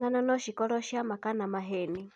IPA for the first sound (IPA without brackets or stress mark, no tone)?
a